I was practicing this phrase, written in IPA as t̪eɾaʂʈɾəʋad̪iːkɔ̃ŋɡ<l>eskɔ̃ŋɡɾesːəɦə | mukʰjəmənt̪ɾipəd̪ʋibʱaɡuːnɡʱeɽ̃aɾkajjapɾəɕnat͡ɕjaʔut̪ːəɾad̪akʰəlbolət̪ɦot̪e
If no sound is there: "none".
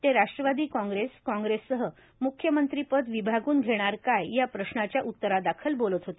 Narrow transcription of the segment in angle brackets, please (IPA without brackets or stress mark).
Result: ɾ